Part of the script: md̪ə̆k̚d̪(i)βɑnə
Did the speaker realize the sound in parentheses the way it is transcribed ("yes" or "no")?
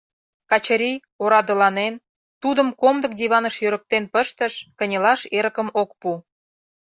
yes